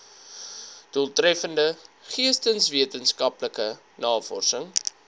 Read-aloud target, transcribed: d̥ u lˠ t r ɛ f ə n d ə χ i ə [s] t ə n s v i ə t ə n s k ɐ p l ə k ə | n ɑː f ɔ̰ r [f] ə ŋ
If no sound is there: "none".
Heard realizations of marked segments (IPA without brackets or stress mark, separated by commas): s, s